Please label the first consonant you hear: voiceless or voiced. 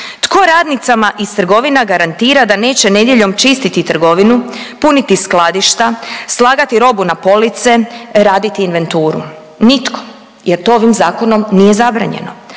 voiceless